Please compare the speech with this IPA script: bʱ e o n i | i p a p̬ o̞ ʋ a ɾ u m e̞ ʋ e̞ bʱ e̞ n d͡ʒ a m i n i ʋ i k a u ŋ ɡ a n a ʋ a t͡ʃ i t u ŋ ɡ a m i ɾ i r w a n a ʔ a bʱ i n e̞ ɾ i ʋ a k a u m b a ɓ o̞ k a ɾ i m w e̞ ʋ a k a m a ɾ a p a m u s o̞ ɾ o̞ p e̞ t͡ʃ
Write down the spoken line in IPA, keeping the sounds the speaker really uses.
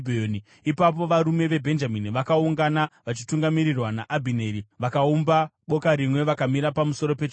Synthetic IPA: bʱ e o n i | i p a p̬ o̞ ʋ a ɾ u m e̞ ʋ e̞ bʱ e̞ n d͡ʒ a m i n i ʋ a k a u ŋ ɡ a n a ʋ a t͡ʃ i t u ŋ ɡ a m i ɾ i r w a n a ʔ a bʱ i n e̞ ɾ i ʋ a k a u m b a ɓ o̞ k a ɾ i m w e̞ ʋ a k a m i ɾ a p a m u s o̞ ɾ o̞ p e̞ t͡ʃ